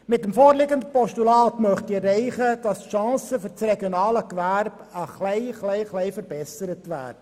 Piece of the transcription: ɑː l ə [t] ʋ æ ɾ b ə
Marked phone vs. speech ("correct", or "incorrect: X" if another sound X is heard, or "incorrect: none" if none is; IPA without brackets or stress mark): incorrect: k